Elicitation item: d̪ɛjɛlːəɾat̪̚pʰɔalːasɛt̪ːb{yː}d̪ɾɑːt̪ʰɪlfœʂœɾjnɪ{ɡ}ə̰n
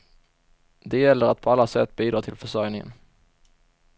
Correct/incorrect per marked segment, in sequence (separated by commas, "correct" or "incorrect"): incorrect, incorrect